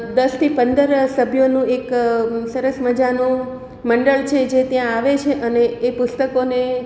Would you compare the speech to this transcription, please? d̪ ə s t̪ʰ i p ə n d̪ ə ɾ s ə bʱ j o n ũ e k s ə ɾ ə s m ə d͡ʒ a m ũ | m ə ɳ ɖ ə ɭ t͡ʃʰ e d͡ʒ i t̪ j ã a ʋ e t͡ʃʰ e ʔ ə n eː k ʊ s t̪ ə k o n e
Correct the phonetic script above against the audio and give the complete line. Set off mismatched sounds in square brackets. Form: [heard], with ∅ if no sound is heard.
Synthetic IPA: d̪ ə s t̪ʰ i p ə n d̪ ə ɾ s ə bʱ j o n ũ e k s ə ɾ ə s m ə d͡ʒ a [n] ũ | m ə ɳ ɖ ə ɭ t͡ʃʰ e d͡ʒ [e] t̪ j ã a ʋ e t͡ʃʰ e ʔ ə n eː [p] ʊ s t̪ ə k o n e